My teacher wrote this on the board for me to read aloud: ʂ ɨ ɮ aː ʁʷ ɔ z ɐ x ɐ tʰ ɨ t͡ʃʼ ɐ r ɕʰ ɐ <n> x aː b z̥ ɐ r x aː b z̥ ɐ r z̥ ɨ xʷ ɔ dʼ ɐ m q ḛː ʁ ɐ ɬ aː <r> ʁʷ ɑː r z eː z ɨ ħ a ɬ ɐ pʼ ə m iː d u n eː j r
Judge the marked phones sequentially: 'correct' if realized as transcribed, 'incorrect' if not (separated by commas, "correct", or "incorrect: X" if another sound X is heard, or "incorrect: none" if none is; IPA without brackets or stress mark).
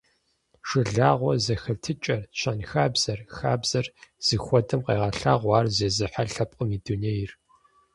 correct, incorrect: none